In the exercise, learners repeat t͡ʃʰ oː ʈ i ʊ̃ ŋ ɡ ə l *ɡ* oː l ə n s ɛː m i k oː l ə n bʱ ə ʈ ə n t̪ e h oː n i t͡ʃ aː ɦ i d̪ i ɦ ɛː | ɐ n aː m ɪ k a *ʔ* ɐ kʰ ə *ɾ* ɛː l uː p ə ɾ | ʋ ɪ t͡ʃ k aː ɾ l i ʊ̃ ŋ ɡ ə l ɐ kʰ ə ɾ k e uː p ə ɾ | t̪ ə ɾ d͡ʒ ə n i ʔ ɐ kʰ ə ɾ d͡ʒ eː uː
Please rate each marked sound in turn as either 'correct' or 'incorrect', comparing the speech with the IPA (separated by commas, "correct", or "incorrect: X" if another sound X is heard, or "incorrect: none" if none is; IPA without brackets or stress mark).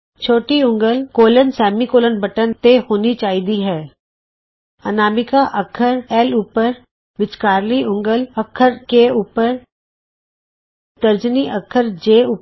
incorrect: k, correct, correct